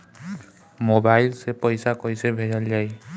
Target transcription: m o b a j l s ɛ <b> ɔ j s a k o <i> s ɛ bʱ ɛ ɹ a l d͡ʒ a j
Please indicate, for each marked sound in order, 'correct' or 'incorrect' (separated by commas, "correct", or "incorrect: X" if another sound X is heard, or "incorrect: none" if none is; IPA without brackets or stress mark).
incorrect: p, incorrect: j